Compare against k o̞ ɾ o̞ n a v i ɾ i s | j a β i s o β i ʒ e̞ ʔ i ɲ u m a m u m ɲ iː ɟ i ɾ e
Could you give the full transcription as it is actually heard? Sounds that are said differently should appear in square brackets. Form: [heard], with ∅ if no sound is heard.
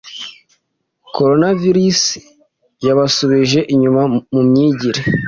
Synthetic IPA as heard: k o̞ ɾ o̞ n a v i ɾ i s | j a β [a] s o β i ʒ e̞ ʔ i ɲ u m a m u m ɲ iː ɟ i ɾ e